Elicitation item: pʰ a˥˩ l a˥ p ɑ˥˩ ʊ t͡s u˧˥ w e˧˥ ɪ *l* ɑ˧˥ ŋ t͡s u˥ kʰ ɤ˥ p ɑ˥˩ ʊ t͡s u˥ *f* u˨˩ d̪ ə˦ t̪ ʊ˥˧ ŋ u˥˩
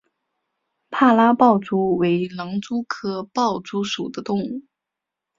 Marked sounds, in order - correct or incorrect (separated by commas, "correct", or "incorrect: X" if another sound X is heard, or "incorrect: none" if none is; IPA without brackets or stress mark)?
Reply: correct, incorrect: ʂ